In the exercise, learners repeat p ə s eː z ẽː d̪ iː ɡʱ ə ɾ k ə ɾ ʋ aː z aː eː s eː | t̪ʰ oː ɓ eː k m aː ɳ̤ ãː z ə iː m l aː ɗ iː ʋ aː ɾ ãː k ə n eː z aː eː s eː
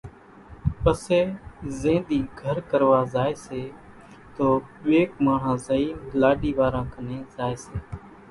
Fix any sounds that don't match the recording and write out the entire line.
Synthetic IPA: p ə s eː z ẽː d̪ iː ɡʱ ə ɾ k ə ɾ ʋ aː z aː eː s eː | t̪ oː ɓ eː k m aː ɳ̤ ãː z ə iː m l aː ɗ iː ʋ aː ɾ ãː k ə n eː z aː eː s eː